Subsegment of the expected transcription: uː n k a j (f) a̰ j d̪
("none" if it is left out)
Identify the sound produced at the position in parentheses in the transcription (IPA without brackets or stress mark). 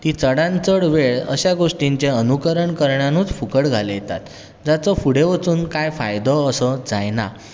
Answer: f